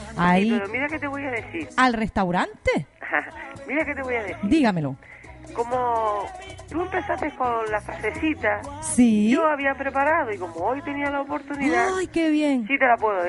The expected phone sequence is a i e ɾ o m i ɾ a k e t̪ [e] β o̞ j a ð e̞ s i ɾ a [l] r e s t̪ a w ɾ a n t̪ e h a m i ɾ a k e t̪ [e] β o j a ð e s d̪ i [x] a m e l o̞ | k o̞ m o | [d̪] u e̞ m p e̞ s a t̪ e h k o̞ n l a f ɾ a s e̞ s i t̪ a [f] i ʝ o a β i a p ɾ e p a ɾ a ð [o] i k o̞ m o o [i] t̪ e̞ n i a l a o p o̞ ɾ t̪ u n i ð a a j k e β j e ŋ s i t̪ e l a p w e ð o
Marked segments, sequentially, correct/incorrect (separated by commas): correct, correct, correct, incorrect, incorrect, incorrect, correct, incorrect